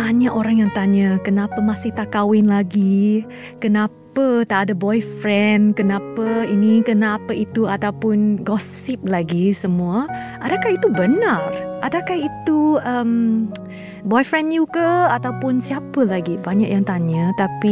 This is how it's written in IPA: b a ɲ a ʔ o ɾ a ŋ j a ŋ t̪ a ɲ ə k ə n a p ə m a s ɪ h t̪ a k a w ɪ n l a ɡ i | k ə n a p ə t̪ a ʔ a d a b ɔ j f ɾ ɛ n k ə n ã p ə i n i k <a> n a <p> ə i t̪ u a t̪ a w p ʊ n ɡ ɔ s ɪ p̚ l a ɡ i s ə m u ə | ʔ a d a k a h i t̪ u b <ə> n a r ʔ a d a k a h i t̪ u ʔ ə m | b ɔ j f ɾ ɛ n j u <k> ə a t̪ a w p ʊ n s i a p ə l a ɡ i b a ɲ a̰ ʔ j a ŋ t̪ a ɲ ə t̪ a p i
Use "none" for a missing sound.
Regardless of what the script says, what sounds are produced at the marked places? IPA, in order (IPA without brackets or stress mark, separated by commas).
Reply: ə, p, ə, k